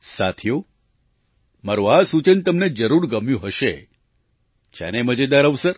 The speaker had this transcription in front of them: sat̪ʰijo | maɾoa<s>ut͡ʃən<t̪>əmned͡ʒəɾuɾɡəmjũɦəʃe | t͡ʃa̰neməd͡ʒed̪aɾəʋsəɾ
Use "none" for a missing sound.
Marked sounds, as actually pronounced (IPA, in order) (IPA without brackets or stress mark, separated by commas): s, t̪